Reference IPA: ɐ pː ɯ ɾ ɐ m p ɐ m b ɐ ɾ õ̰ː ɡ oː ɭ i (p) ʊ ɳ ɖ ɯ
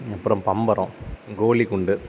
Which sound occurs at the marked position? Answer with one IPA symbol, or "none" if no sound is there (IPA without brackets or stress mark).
k